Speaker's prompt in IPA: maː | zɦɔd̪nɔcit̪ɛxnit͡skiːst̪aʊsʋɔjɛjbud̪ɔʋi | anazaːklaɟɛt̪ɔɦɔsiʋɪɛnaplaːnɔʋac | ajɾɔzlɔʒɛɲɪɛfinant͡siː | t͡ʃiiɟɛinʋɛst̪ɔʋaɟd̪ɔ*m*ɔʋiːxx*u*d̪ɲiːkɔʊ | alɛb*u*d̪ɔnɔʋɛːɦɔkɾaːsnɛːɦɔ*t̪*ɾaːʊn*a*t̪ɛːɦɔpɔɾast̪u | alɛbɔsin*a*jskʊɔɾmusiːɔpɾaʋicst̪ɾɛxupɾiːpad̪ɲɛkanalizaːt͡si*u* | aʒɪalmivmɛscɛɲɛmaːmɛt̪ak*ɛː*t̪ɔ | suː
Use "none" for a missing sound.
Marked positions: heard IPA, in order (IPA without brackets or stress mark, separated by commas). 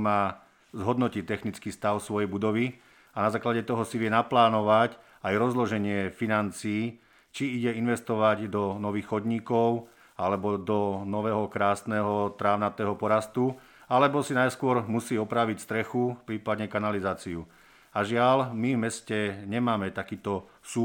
n, ɔ, ɔ, t̪, a, a, u, iː